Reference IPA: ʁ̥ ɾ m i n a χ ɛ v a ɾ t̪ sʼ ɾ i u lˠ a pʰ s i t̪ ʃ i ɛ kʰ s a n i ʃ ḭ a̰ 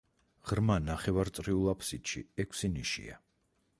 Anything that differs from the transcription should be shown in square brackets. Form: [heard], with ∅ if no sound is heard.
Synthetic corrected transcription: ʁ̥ ɾ m [a] n a χ ɛ v a ɾ t̪ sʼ ɾ i u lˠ a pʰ s i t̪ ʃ i ɛ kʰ s [i] n i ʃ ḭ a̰